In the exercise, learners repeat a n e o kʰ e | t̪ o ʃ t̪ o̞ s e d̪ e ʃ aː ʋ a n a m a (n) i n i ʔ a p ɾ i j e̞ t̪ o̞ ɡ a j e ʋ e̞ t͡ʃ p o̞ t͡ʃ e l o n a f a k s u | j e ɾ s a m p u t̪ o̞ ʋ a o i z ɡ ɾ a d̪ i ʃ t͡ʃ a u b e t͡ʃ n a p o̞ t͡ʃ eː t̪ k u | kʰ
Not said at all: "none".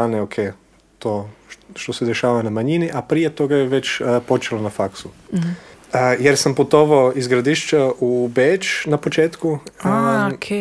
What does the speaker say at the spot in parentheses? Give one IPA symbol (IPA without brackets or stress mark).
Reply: ɲ